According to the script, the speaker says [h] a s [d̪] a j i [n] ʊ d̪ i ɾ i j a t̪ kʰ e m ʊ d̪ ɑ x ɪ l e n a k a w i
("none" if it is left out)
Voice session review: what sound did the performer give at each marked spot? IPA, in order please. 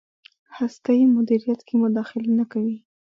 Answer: h, t̪, m

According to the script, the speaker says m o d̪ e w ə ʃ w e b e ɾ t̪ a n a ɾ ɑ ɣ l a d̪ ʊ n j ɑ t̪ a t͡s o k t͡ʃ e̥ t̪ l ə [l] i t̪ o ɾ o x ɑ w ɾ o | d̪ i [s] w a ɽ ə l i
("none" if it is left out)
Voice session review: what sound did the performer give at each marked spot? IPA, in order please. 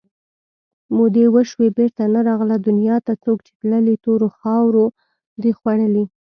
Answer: l, x

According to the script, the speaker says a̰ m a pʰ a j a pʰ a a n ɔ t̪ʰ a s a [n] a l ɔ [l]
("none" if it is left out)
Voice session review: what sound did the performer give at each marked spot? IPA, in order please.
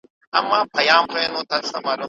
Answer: m, none

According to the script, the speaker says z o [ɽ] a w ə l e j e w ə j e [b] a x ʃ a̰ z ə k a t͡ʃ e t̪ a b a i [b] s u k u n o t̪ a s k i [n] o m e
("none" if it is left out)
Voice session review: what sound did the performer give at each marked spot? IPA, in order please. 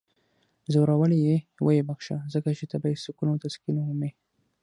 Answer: ɾ, b, none, n

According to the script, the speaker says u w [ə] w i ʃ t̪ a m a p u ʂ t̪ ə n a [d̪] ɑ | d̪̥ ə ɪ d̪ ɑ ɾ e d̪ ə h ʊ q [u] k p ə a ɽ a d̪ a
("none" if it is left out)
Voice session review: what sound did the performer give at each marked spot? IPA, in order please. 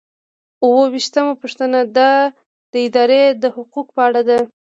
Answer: ə, d̪, u

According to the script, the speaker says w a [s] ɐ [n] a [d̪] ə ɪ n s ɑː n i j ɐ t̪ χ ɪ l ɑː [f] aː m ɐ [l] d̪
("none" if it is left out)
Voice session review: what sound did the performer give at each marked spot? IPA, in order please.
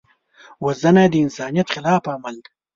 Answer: z, n, d̪, f, l

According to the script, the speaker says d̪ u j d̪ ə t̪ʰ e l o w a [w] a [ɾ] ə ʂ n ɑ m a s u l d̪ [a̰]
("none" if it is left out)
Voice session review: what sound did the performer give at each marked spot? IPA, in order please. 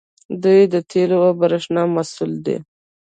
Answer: b, ɾ, ḛ

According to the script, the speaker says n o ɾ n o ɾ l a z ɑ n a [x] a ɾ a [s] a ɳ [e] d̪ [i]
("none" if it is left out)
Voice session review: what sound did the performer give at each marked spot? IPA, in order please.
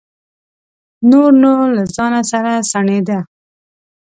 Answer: s, s, e, a

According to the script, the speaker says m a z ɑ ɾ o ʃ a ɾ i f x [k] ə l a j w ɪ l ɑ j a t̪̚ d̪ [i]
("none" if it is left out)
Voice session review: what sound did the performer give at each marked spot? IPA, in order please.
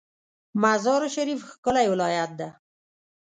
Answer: k, a

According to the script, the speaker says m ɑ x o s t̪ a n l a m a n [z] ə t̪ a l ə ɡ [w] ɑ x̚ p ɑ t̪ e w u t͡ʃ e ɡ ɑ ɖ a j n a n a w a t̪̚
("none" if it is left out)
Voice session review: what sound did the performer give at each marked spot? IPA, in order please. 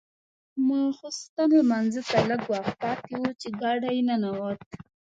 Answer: z, w

